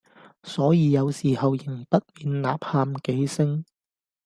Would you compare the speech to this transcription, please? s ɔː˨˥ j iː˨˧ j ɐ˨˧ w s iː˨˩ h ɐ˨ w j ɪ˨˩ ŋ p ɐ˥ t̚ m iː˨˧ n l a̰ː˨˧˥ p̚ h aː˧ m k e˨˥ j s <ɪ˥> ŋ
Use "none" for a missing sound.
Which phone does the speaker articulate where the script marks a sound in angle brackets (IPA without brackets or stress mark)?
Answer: ɪ˥